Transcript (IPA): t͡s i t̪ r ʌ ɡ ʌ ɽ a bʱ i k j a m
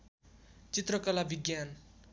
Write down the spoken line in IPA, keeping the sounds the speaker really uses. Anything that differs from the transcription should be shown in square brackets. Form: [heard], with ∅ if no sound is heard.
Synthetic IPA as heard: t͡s i t̪ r ʌ [k] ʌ [l] a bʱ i [ɡ] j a [n]